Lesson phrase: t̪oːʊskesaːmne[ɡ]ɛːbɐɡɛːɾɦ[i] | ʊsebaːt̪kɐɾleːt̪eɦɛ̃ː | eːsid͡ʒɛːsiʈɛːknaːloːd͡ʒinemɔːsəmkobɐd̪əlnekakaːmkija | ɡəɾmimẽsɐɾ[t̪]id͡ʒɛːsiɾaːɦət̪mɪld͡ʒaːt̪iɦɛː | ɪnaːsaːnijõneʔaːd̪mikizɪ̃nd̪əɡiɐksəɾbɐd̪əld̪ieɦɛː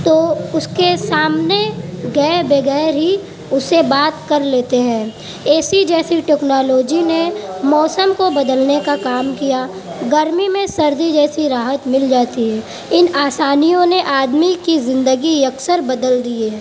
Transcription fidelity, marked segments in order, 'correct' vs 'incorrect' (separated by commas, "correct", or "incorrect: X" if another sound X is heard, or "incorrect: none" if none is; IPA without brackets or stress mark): correct, correct, incorrect: d̪